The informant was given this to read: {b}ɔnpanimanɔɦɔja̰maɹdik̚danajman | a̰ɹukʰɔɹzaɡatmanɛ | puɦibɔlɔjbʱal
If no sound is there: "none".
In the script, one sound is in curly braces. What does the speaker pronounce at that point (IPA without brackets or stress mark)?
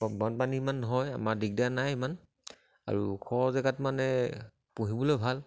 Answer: b